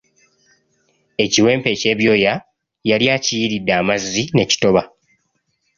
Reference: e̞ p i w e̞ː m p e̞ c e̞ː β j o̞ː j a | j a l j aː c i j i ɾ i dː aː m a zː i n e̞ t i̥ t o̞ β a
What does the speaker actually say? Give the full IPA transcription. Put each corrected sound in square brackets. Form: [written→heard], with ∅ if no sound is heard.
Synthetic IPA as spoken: e̞ [p→c] i w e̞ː m p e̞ c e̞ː β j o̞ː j a | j a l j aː c i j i ɾ i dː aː m a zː i n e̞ [t→c] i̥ t o̞ β a